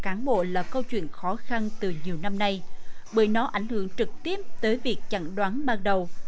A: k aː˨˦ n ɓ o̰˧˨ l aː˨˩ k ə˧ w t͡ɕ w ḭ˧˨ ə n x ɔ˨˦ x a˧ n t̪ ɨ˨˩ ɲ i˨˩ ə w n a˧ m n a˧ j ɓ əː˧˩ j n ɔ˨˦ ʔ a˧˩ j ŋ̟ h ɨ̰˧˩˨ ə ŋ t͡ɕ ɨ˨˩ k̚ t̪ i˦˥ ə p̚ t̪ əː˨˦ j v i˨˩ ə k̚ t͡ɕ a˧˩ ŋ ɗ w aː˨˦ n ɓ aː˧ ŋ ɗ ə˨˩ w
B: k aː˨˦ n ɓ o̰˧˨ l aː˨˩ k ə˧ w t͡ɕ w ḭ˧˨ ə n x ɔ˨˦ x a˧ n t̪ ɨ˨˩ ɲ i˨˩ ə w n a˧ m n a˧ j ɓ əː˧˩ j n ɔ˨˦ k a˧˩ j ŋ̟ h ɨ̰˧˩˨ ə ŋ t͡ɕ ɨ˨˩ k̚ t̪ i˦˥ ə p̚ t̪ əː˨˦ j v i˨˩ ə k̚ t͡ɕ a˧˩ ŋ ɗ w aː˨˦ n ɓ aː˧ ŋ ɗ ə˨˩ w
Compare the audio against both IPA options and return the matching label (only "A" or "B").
A